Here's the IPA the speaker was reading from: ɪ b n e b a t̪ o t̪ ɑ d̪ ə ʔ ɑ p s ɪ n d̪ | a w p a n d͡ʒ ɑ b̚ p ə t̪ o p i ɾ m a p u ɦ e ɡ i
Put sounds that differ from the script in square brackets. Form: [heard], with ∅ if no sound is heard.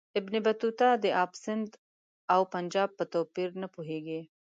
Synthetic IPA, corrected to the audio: ɪ b n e b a t̪ [u] t̪ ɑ d̪ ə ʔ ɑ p s ɪ n d̪ | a w p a n d͡ʒ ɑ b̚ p ə t̪ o p i ɾ [n] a p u ɦ e ɡ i